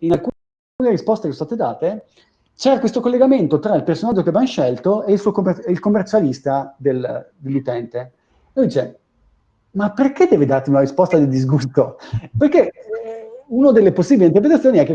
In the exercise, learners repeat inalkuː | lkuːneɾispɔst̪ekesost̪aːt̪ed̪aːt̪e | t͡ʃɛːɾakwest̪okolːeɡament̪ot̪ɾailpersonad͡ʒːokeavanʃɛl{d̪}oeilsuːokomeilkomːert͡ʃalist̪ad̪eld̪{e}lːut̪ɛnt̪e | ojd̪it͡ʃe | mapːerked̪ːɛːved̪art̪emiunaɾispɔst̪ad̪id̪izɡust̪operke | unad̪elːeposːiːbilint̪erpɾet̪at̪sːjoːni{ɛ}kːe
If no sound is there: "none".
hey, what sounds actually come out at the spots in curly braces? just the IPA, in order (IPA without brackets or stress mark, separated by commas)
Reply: t̪, e, ɛ